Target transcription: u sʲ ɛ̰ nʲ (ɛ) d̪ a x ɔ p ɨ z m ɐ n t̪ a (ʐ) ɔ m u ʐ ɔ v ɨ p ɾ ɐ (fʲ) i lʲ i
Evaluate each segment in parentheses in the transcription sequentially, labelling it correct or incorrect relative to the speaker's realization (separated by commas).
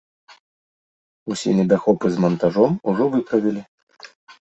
correct, correct, incorrect